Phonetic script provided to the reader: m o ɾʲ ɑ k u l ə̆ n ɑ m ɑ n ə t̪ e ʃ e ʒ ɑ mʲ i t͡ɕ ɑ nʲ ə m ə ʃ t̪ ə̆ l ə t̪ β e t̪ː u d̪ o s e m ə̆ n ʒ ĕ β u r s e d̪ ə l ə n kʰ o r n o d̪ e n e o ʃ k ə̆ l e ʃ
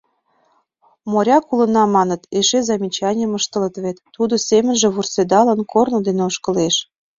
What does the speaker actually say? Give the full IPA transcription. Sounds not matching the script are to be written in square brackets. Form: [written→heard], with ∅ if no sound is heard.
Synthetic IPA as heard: m o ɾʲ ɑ k u l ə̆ n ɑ m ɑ n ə t̪ e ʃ e [ʒ→z] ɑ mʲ i t͡ɕ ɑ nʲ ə m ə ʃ t̪ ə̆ l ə t̪ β e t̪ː u d̪ o s e m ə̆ n ʒ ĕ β u r s e d̪ [ə→ɑ] l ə n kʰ o r n o d̪ e n e o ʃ k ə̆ l e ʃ